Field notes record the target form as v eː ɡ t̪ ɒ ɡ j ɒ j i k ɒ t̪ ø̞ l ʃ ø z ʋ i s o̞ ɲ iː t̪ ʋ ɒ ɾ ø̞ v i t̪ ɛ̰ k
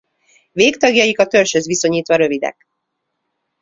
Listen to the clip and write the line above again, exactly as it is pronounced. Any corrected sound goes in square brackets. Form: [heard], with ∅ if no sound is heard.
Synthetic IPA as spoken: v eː [k] t̪ ɒ ɡ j ɒ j i k ɒ t̪ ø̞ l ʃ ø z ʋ i s o̞ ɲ iː t̪ ʋ ɒ ɾ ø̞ v i [d̪] ɛ̰ k

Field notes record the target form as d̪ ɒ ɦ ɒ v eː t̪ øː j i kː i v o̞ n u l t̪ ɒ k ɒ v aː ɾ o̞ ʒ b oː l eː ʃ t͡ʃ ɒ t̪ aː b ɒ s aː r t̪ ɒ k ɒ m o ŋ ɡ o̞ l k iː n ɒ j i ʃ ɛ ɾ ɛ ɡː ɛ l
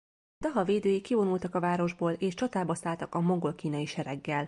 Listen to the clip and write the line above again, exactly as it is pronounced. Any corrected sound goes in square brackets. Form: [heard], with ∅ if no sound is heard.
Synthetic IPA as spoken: d̪ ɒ ɦ ɒ v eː [d̪] øː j i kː i v o̞ n u l t̪ ɒ k ɒ v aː ɾ o̞ ʒ b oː l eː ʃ t͡ʃ ɒ t̪ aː b ɒ s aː [l] t̪ ɒ k ɒ m o ŋ ɡ o̞ l k iː n ɒ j i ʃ ɛ ɾ ɛ ɡː ɛ l

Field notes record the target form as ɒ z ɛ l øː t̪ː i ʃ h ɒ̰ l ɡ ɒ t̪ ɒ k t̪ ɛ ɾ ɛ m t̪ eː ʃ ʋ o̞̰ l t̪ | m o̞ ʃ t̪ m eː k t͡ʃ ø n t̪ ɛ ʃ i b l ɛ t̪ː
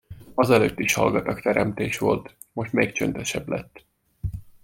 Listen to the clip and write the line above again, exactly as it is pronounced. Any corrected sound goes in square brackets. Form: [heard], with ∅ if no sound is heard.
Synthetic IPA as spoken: ɒ z ɛ l øː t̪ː i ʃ h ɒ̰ l ɡ ɒ t̪ ɒ k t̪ ɛ ɾ ɛ m t̪ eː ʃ ʋ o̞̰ l t̪ | m o̞ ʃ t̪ m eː k t͡ʃ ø n t̪ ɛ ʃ [ɛ] b l ɛ t̪ː

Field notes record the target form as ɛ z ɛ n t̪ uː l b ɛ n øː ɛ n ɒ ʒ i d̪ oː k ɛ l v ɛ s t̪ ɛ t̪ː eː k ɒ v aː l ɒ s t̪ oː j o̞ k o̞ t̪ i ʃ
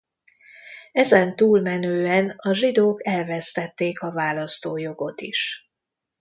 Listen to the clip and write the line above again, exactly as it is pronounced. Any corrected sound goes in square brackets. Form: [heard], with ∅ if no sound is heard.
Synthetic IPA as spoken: ɛ z ɛ n t̪ uː l [m] ɛ n øː ɛ n ɒ ʒ i d̪ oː k ɛ l v ɛ s t̪ ɛ t̪ː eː k ɒ v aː l ɒ s t̪ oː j o̞ [ɡ] o̞ t̪ i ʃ

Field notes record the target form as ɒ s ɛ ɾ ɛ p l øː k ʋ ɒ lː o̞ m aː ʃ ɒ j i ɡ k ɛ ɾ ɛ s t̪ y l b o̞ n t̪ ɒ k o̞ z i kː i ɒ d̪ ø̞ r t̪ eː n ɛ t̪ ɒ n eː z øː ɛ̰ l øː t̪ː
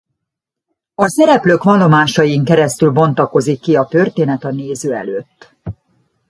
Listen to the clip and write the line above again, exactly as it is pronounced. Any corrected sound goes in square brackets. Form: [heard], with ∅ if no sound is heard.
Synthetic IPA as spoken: ɒ s ɛ ɾ ɛ p l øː k ʋ ɒ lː o̞ m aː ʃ ɒ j i [ŋ] k ɛ ɾ ɛ s t̪ y l b o̞ n t̪ ɒ k o̞ z i kː i ɒ [t̪] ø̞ r t̪ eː n ɛ t̪ ɒ n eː z øː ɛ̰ l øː t̪ː

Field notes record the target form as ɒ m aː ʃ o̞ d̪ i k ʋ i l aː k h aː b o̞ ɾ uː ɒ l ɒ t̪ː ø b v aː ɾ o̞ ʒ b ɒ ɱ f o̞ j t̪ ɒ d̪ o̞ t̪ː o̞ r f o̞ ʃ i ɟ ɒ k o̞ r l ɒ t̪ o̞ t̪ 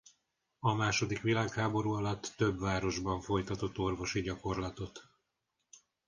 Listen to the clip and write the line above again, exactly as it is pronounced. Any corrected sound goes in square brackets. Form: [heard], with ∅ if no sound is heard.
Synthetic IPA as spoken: ɒ m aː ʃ o̞ d̪ i k ʋ i l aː k h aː b o̞ ɾ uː ɒ l ɒ t̪ː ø b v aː ɾ o̞ ʒ b ɒ ɱ f o̞ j t̪ ɒ [t̪] o̞ t̪ː o̞ r [v] o̞ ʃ i ɟ ɒ k o̞ r l ɒ t̪ o̞ t̪

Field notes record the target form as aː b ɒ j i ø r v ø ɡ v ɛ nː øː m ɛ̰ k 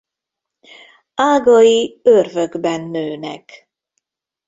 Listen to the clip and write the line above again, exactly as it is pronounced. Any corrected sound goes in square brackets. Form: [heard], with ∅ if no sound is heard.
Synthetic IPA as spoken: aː [ɡ] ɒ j i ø r v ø ɡ [b] ɛ nː øː [n] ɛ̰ k

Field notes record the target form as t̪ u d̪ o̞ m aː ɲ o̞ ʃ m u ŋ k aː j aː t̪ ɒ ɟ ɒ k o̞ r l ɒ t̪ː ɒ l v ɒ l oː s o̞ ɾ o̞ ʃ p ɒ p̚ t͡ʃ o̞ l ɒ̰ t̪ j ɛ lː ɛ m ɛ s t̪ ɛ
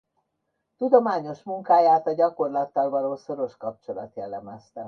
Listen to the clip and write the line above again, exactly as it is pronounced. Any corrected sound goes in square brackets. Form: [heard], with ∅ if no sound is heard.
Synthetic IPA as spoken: t̪ u d̪ o̞ m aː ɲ o̞ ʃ m u ŋ k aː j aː t̪ ɒ ɟ ɒ k o̞ r l ɒ t̪ː ɒ l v ɒ l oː s o̞ ɾ o̞ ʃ [k] ɒ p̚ t͡ʃ o̞ l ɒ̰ t̪ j ɛ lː ɛ m ɛ s t̪ ɛ

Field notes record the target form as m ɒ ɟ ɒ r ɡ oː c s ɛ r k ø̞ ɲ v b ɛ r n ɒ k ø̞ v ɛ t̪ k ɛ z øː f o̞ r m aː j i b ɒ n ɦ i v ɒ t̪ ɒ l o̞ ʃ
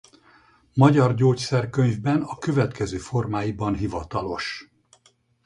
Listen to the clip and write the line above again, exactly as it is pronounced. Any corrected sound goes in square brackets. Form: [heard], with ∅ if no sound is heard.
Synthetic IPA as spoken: m ɒ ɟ ɒ r [ɟ] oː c s ɛ r k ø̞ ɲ v b ɛ [∅] n ɒ k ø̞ v ɛ t̪ k ɛ z øː f o̞ r m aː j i b ɒ n ɦ i v ɒ t̪ ɒ l o̞ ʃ

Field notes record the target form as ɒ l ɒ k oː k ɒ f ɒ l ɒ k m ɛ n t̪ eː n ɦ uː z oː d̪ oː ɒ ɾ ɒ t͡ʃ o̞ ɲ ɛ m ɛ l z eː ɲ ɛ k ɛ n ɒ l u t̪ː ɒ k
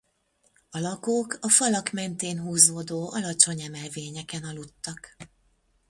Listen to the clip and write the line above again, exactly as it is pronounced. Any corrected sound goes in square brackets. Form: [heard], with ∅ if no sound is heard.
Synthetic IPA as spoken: ɒ l ɒ k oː k ɒ f ɒ l ɒ k m ɛ n t̪ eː n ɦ uː z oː d̪ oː ɒ [l] ɒ t͡ʃ o̞ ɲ ɛ m ɛ l [v] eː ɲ ɛ k ɛ n ɒ l u t̪ː ɒ k

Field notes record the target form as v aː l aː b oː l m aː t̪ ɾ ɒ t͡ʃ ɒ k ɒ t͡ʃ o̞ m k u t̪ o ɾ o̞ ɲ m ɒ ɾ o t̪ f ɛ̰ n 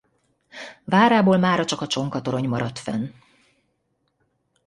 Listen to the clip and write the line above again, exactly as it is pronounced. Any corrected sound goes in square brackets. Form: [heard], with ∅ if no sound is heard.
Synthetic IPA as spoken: v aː [ɾ] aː b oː l m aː [∅] ɾ ɒ t͡ʃ ɒ k ɒ t͡ʃ o̞ [ŋ] k [ɒ] t̪ o ɾ o̞ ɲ m ɒ ɾ [ɒ] t̪ f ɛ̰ n

